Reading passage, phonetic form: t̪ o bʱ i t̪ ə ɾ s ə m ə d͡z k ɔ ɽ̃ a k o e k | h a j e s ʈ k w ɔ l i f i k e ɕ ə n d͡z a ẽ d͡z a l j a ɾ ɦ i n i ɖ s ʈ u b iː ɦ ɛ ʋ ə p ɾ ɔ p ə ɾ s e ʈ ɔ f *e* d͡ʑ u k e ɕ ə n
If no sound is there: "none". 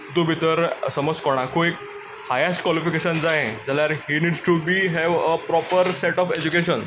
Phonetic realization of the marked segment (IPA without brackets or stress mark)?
e